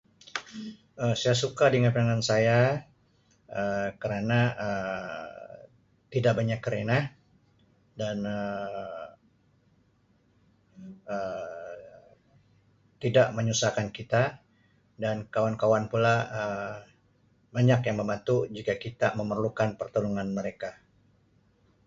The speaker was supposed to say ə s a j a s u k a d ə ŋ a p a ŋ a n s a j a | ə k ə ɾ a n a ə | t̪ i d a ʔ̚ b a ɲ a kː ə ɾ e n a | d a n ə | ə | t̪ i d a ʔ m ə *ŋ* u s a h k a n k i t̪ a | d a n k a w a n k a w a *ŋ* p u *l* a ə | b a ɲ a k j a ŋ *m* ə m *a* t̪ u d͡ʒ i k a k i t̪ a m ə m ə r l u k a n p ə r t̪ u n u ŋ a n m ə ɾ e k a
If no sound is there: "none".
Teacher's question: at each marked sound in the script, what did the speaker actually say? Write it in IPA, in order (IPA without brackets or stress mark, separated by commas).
ɲ, n, l, m, a